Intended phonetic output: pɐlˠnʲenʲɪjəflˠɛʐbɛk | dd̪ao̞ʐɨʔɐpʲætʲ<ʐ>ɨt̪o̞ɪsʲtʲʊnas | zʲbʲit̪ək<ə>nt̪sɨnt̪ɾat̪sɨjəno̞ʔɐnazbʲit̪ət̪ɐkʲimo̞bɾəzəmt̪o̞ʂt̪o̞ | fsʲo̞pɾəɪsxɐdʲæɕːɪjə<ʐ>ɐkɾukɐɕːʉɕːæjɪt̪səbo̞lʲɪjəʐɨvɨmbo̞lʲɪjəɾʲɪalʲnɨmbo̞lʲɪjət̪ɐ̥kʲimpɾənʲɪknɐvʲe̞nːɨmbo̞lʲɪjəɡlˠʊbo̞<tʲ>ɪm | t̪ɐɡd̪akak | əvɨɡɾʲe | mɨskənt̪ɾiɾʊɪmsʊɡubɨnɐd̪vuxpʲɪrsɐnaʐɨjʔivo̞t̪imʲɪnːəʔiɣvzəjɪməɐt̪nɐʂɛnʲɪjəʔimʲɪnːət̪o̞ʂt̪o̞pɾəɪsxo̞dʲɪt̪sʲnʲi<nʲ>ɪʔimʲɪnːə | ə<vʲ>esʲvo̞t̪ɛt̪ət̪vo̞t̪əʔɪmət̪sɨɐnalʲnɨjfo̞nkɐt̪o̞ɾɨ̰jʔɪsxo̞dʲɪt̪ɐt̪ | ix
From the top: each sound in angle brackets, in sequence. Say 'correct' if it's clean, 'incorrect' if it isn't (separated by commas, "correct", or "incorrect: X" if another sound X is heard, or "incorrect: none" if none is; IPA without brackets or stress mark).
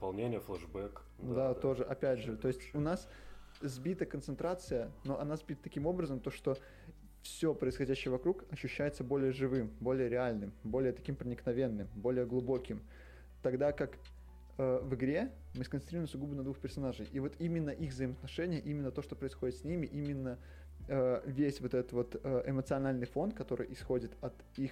correct, correct, incorrect: v, incorrect: kʲ, incorrect: mʲ, correct